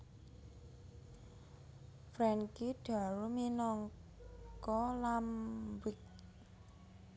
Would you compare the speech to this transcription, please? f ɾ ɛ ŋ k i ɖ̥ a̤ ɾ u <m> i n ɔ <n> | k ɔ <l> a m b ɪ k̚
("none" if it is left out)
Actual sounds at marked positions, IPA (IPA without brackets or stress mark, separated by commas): m, ŋ, l